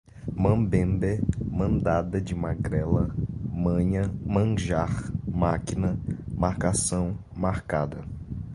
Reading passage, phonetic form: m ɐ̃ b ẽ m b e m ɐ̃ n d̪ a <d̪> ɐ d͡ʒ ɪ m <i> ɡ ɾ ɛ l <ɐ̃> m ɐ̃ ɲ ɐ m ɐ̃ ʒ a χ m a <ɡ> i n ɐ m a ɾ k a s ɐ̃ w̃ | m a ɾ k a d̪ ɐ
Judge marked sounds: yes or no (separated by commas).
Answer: yes, no, no, no